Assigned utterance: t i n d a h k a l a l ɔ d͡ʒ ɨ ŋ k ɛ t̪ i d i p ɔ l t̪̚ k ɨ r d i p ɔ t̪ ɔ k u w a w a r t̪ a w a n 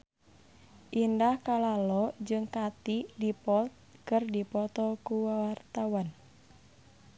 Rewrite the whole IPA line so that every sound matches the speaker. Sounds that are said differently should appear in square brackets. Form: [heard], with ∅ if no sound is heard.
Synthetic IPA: [ʔ] i n d a h k a l a l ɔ d͡ʒ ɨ ŋ k [a] t̪ i d i p ɔ l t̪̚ k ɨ r d i p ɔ t̪ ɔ k u w a w a r t̪ a w a n